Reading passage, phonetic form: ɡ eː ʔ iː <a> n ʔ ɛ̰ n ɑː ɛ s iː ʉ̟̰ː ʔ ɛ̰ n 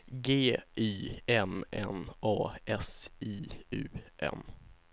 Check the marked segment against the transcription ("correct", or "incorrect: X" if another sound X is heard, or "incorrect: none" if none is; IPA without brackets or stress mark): incorrect: ɛ